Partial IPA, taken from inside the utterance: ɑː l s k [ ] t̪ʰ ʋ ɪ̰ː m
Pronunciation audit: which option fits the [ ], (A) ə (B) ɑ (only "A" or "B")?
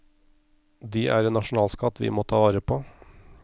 B